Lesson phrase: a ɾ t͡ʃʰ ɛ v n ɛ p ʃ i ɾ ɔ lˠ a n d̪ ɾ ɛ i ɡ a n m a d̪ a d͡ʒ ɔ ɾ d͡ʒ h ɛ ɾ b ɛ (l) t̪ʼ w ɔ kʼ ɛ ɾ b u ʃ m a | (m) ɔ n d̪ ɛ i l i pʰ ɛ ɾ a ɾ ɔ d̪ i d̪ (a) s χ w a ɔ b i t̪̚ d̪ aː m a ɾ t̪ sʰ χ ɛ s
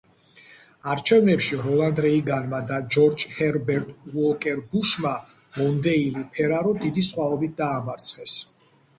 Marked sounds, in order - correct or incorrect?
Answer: incorrect: ɾ, correct, incorrect: i

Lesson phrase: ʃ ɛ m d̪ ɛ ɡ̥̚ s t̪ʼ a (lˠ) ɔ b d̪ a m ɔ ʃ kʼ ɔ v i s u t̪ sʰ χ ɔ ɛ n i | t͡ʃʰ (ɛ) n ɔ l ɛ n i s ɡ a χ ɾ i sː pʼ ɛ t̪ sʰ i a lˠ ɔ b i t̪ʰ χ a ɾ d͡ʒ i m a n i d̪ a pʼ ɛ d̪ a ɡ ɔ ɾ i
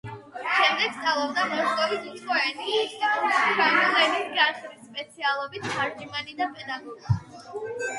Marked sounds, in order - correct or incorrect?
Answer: correct, incorrect: a

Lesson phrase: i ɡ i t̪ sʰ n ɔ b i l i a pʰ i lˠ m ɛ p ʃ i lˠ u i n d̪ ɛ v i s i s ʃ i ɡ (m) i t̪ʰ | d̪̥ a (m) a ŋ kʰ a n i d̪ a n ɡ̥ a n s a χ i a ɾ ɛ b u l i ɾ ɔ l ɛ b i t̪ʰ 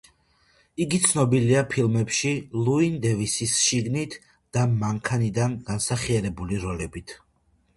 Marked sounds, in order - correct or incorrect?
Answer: incorrect: n, correct

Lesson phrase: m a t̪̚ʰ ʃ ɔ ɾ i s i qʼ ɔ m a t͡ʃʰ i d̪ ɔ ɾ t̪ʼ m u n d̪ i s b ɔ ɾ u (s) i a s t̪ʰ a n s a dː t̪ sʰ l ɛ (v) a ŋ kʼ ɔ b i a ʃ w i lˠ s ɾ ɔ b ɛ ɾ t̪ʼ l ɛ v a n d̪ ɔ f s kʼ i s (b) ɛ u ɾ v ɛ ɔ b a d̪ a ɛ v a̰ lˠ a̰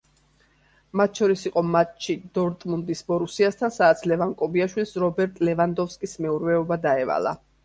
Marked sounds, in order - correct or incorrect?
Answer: correct, correct, incorrect: m

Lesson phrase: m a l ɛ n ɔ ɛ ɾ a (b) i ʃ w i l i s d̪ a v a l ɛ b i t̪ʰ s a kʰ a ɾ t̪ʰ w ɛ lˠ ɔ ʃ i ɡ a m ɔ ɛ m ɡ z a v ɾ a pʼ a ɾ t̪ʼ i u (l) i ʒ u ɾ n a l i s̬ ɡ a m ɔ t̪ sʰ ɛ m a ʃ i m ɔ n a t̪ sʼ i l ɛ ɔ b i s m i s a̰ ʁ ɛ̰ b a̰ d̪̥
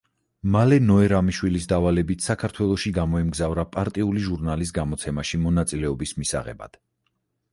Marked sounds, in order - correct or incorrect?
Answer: incorrect: m, correct

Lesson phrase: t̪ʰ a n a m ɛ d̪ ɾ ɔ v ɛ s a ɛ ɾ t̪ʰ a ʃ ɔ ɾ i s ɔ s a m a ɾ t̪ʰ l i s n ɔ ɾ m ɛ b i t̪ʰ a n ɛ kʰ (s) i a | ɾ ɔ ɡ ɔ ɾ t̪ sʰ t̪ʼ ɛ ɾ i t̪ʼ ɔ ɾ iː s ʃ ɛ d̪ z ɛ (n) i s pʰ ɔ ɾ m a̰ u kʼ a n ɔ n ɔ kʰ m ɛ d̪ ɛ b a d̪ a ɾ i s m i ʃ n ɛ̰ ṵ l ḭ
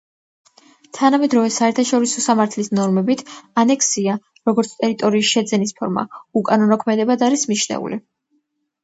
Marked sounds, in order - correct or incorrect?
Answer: correct, correct

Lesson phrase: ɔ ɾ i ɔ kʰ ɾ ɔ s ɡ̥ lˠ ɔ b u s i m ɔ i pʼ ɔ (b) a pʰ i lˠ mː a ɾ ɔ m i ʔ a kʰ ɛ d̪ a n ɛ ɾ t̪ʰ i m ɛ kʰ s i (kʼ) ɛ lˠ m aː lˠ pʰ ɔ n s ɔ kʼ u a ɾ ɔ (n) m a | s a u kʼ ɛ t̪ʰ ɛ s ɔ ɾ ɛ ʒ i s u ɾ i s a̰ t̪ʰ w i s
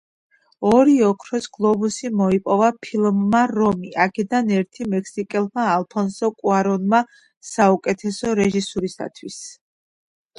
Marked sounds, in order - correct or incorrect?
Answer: incorrect: v, correct, correct

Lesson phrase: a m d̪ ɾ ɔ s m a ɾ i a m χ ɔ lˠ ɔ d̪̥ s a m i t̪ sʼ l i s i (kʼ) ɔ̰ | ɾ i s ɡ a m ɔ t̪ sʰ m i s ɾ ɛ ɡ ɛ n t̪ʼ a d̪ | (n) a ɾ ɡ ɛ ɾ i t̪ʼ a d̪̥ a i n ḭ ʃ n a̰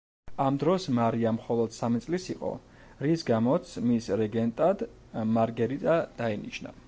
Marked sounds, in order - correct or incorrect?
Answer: incorrect: qʼ, incorrect: m

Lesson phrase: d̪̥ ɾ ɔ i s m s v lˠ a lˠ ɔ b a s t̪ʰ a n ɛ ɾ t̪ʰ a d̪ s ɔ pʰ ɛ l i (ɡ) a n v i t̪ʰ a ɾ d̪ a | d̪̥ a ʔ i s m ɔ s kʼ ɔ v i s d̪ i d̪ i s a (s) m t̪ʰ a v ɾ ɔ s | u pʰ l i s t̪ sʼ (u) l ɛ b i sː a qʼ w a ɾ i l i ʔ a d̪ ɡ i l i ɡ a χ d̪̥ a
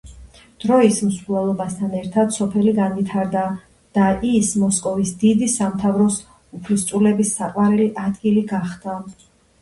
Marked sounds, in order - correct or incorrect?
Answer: correct, incorrect: none, correct

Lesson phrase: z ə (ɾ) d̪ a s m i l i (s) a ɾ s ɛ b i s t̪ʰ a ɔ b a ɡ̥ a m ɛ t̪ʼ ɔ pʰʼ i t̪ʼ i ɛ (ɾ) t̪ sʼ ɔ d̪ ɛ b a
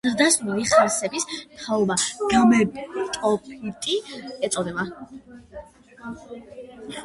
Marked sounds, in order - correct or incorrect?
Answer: correct, incorrect: χ, incorrect: none

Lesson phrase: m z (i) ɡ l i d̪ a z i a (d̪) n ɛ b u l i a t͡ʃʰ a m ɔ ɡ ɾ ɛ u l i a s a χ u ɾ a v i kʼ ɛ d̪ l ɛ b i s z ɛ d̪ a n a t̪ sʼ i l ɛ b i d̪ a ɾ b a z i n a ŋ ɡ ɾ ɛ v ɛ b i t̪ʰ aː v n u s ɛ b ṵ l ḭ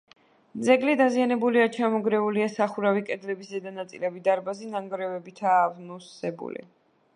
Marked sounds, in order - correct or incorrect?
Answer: incorrect: ɛ, incorrect: none

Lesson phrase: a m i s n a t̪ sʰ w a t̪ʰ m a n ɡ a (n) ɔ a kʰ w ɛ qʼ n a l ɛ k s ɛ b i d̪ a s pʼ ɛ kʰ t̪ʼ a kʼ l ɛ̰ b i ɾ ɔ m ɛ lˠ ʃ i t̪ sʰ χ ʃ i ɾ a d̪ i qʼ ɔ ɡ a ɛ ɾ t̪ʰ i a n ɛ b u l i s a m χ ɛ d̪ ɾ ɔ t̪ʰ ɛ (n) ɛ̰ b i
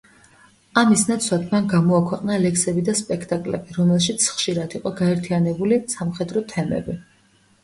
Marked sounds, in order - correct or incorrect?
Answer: incorrect: m, incorrect: m

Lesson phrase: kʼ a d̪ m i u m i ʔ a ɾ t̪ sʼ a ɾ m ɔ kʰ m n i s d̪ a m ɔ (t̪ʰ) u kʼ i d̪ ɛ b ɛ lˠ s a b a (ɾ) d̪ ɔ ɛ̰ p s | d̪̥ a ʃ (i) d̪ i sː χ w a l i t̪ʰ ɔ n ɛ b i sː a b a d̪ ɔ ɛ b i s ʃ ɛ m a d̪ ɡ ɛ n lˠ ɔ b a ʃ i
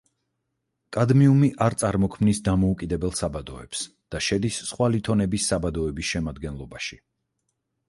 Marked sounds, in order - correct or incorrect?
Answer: incorrect: none, incorrect: none, incorrect: ɛ

